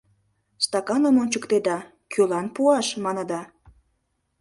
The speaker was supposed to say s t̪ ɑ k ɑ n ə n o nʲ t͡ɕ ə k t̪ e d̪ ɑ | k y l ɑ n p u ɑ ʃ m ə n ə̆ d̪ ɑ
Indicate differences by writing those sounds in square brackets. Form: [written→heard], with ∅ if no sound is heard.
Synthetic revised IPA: s t̪ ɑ k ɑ n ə [n→m] o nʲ t͡ɕ ə k t̪ e d̪ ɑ | k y l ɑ n p u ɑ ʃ m [ə→ɑ] n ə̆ d̪ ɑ